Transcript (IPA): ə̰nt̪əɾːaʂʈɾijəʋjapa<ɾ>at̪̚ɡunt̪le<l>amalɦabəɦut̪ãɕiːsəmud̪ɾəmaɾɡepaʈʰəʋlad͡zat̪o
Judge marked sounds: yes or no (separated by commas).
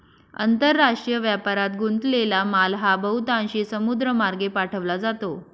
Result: yes, yes